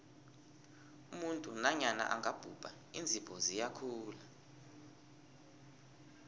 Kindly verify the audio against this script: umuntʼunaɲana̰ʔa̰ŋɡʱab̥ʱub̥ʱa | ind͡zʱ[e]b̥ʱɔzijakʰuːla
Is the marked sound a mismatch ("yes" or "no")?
yes